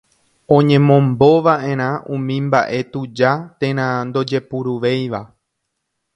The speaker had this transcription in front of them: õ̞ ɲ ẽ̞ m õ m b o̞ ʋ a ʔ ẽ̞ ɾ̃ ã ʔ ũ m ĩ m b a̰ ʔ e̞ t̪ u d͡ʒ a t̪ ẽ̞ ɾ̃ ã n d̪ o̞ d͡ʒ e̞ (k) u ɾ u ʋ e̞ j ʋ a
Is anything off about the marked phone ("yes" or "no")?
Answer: yes